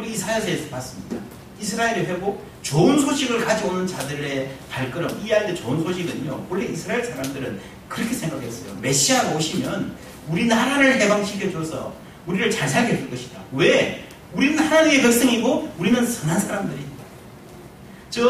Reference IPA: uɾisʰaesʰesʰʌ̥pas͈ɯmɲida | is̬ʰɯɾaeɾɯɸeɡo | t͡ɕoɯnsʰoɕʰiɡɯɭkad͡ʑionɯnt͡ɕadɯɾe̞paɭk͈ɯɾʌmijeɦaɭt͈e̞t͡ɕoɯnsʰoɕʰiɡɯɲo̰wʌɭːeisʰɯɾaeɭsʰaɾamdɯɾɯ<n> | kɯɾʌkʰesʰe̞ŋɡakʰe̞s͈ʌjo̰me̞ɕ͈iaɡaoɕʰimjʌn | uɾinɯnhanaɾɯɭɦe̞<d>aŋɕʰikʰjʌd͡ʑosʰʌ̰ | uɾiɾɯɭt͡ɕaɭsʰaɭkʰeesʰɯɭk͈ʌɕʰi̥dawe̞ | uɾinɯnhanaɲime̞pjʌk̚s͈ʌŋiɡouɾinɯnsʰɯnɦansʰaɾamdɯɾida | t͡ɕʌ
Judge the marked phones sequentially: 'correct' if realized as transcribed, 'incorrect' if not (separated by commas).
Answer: correct, incorrect